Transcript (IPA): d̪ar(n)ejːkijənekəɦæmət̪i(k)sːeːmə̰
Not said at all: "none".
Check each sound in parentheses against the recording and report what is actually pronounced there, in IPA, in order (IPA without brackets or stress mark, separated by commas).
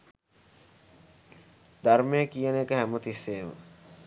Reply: m, none